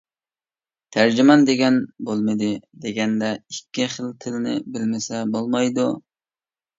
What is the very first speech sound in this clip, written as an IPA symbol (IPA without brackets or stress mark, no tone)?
t̪ʰ